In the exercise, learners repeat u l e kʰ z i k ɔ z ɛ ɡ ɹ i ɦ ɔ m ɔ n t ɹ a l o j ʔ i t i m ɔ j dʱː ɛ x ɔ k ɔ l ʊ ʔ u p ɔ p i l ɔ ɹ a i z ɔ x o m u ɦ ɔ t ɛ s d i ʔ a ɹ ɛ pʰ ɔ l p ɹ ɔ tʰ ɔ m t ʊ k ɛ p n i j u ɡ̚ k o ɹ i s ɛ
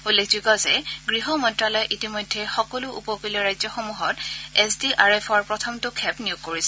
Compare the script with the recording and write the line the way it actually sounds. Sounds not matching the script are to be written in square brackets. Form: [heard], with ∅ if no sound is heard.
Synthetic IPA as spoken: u l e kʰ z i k ɔ z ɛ ɡ ɹ i ɦ ɔ m ɔ n t ɹ a l [ɔ] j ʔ i t i m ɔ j dʱː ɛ x ɔ k ɔ l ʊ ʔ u p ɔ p i l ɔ ɹ a [j] z ɔ x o m u ɦ ɔ t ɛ s d i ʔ a ɹ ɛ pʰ ɔ [ɹ] p ɹ ɔ tʰ ɔ m t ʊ [kʰ] ɛ p n i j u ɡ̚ k o ɹ i s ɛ